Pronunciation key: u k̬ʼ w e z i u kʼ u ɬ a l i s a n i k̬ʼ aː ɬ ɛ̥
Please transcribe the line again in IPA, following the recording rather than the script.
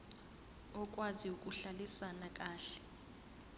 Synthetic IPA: ɔ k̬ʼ w a z i u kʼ u ɬ a l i s a n a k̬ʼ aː ɬ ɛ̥